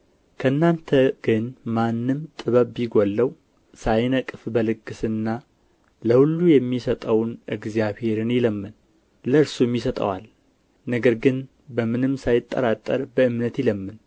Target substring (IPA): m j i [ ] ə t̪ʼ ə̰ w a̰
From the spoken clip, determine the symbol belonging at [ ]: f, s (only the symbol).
s